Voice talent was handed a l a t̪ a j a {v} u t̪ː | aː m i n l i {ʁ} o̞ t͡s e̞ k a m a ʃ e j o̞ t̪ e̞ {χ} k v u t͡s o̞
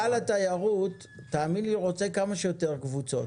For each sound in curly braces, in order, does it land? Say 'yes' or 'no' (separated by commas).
no, yes, no